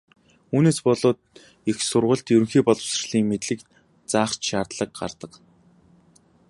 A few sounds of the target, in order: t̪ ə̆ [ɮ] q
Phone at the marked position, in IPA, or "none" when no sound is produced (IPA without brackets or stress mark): none